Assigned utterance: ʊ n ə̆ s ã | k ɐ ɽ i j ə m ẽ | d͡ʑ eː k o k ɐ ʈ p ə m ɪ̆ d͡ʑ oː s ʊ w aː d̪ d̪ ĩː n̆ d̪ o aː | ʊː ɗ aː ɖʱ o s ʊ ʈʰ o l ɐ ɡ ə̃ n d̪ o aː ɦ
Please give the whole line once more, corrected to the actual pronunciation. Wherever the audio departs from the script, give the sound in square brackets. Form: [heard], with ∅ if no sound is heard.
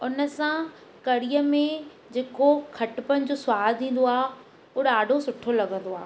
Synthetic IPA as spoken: ʊ n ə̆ s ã | k ɐ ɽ i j ə m ẽ | d͡ʑ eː k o [kʰ] ɐ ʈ p ə [n] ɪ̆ d͡ʑ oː s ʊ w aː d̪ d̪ ĩː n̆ d̪ o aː | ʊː ɗ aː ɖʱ o s ʊ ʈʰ o l ɐ ɡ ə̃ n d̪ o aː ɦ